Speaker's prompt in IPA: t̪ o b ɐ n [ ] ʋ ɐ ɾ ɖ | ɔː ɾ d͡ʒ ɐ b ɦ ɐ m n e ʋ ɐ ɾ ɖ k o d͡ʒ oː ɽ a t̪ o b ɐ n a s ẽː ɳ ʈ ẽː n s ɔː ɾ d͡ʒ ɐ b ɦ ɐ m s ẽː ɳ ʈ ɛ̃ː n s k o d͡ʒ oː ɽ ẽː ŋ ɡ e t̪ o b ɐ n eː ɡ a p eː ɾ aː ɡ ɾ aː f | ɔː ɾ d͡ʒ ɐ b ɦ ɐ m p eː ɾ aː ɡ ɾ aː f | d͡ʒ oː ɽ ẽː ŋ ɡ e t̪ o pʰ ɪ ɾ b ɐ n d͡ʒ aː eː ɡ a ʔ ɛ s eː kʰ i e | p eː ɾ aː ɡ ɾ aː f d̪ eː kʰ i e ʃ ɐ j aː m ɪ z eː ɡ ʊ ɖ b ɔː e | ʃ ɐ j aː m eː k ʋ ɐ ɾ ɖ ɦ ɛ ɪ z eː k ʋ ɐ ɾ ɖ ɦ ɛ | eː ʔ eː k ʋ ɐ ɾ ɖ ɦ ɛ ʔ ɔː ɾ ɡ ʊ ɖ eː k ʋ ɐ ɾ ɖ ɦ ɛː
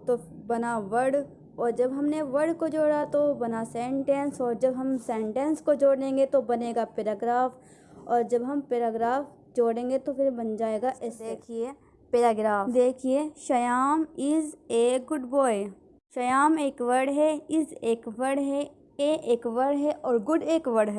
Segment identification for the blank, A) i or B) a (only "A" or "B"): B